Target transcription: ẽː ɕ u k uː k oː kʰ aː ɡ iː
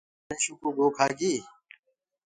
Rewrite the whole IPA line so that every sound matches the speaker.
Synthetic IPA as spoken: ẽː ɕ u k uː ɡ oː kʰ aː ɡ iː